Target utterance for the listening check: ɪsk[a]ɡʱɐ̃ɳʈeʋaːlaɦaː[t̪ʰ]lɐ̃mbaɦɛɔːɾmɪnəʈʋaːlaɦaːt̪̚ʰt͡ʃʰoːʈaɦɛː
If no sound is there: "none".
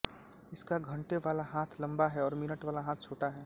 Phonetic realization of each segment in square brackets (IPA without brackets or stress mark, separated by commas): a, t̪ʰ